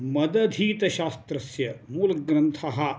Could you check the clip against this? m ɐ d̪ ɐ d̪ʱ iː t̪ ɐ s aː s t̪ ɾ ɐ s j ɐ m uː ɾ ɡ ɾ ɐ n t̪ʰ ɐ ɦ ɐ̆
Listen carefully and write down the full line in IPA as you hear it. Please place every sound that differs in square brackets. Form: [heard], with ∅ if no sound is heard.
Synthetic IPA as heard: m ɐ d̪ ɐ d̪ʱ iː t̪ ɐ [ʃ] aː s t̪ ɾ ɐ s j ɐ m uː [l] ɡ ɾ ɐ n t̪ʰ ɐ ɦ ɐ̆